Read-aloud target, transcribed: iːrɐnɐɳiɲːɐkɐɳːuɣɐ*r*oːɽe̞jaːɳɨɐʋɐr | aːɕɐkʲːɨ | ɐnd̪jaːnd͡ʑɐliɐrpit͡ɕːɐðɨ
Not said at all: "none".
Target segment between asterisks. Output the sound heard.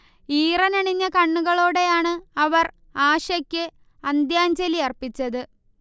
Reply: ɭ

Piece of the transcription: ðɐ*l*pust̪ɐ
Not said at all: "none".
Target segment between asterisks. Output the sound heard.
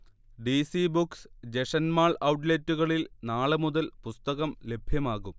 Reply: l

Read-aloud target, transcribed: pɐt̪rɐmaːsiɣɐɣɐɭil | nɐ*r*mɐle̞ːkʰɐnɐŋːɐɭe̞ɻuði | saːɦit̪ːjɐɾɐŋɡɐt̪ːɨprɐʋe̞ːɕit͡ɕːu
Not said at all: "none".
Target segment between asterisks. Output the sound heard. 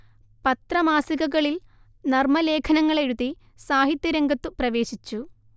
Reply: r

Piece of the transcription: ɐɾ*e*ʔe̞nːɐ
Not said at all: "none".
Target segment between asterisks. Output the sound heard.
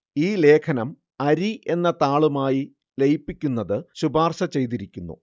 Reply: i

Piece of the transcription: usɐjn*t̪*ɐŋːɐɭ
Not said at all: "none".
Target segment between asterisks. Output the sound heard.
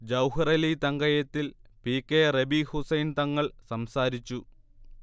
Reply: t̪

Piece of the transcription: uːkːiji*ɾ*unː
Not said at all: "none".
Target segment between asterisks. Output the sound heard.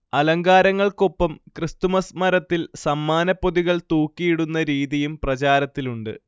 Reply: ɽ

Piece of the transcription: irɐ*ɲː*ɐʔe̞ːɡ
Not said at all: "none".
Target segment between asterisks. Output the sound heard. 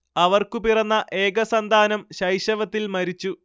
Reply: nː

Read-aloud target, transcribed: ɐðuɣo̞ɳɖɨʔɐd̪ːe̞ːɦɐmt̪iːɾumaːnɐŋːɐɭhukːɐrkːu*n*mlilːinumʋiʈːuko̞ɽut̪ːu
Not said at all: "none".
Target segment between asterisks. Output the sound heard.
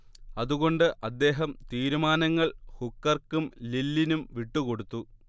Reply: none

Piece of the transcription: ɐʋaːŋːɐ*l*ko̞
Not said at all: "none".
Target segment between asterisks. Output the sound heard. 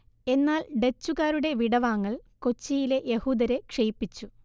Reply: ɭ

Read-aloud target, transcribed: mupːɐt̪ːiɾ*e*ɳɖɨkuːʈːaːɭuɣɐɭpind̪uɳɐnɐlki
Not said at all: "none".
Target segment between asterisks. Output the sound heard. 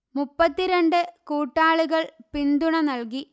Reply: e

